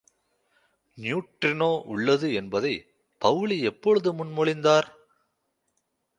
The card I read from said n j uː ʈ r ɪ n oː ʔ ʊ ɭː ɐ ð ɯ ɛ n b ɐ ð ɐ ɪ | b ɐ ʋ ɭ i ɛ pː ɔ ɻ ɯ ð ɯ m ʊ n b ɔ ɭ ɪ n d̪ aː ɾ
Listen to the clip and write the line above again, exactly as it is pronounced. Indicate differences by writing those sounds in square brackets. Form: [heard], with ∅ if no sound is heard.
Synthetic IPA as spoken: n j uː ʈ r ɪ n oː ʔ ʊ ɭː ɐ ð ɯ ɛ n b ɐ ð ɐ ɪ | [p] ɐ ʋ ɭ i ɛ pː ɔ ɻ ɯ ð ɯ m ʊ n [m] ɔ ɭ ɪ n d̪ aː ɾ